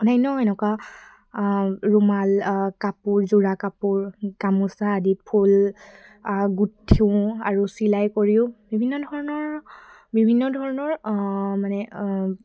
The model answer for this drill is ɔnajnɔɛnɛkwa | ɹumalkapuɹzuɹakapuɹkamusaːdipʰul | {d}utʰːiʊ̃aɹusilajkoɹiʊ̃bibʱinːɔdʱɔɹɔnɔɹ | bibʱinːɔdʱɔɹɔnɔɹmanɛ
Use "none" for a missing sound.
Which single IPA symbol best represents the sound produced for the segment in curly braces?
ɡ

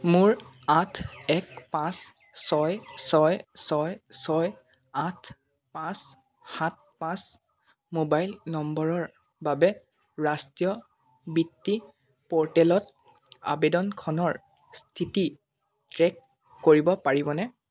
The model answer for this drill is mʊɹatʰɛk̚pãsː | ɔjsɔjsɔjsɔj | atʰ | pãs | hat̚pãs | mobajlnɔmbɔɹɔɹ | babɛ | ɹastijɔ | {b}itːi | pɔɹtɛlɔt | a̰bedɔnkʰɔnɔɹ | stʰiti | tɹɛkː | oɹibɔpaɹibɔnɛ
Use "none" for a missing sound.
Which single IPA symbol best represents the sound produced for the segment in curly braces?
b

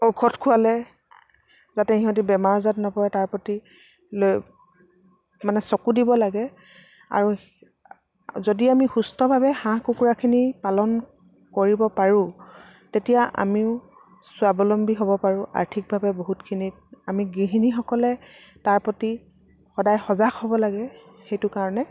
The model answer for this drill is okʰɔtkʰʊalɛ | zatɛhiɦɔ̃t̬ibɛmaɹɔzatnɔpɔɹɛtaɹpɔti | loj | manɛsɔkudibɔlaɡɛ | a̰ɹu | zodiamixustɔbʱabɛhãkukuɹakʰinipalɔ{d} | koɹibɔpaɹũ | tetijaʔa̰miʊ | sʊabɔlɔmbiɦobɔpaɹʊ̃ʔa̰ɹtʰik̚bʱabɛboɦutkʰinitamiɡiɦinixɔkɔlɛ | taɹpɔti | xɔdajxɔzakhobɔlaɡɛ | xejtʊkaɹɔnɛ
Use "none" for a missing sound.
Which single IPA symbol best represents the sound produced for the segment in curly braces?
n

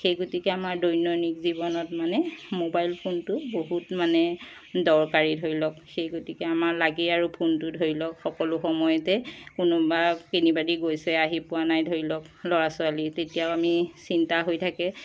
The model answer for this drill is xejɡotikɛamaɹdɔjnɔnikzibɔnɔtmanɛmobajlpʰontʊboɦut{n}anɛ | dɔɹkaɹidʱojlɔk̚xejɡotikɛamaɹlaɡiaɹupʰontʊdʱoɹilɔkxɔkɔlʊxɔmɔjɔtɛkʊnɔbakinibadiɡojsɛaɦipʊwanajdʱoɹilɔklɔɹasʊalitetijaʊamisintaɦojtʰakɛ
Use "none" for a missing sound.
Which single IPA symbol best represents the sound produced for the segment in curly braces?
m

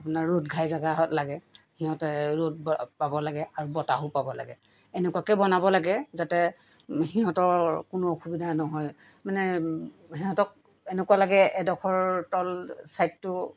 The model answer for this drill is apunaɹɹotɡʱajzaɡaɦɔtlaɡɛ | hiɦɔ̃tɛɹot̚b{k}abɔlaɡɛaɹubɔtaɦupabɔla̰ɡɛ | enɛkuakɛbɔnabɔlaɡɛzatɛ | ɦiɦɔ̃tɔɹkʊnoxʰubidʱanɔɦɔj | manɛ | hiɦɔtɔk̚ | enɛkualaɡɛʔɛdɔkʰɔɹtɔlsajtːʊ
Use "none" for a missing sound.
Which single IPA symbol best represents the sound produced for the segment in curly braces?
p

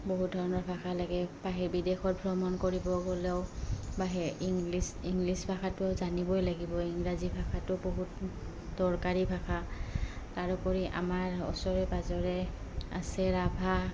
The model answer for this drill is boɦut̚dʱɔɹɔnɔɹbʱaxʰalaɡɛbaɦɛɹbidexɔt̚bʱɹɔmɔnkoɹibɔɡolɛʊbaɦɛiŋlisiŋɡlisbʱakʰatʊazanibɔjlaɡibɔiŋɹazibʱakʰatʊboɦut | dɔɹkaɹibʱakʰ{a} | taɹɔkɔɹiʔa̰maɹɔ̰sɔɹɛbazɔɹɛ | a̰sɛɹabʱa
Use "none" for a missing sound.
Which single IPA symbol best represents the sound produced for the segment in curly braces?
a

